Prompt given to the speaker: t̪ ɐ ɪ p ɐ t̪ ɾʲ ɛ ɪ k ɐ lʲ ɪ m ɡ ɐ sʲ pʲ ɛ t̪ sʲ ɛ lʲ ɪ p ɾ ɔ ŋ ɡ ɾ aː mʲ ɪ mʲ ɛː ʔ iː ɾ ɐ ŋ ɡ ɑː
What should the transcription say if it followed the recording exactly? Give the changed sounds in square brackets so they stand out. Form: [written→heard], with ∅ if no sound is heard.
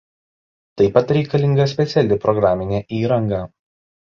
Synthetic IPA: t̪ ɐ ɪ p ɐ t̪ ɾʲ ɛ ɪ k ɐ lʲ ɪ [m→ŋ] ɡ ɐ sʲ pʲ ɛ t̪ sʲ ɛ lʲ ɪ p ɾ ɔ [ŋ→∅] ɡ ɾ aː mʲ ɪ [mʲ→nʲ] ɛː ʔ iː ɾ ɐ ŋ ɡ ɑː

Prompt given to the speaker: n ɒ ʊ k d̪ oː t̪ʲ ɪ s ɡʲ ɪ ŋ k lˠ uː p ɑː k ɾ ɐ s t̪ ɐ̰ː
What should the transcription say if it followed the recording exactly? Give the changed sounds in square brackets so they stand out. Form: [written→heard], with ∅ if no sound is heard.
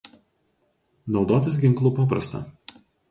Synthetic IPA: n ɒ ʊ [k→∅] d̪ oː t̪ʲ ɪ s ɡʲ ɪ ŋ k lˠ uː p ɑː [k→p] ɾ ɐ s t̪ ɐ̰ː

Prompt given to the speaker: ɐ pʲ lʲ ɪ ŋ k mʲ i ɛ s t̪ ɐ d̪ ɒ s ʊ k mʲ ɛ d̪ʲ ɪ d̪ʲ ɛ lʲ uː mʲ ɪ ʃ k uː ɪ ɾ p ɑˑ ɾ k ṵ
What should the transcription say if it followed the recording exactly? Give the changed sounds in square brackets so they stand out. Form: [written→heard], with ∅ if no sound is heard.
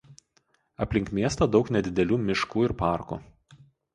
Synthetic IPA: ɐ pʲ lʲ ɪ ŋ k mʲ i ɛ s t̪ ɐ d̪ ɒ [s→∅] ʊ k [mʲ→nʲ] ɛ d̪ʲ ɪ d̪ʲ ɛ lʲ uː mʲ ɪ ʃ k uː ɪ ɾ p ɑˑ ɾ k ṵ

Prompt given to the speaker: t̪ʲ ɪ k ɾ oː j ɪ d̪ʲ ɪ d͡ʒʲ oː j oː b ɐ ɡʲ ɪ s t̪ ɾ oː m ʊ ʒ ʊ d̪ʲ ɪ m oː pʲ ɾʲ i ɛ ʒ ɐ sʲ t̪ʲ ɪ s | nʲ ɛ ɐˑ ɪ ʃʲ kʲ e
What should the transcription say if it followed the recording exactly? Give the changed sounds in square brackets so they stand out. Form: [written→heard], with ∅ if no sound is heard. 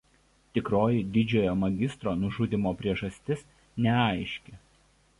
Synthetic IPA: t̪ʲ ɪ k ɾ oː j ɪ d̪ʲ ɪ d͡ʒʲ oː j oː [b→m] ɐ ɡʲ ɪ s t̪ ɾ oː [m→n] ʊ ʒ ʊ d̪ʲ ɪ m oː pʲ ɾʲ i ɛ ʒ ɐ sʲ t̪ʲ ɪ s | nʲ ɛ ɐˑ ɪ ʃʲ kʲ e

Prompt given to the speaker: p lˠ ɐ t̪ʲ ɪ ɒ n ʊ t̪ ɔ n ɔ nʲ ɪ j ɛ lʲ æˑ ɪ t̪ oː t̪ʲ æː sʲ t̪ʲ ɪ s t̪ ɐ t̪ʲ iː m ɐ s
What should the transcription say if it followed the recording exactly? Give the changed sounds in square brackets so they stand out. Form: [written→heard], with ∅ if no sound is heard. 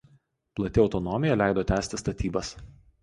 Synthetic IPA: p lˠ ɐ t̪ʲ ɪ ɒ [n→∅] ʊ t̪ ɔ n ɔ [nʲ→mʲ] ɪ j ɛ lʲ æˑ ɪ [t̪→d̪] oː t̪ʲ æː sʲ t̪ʲ ɪ s t̪ ɐ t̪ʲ iː [m→b] ɐ s

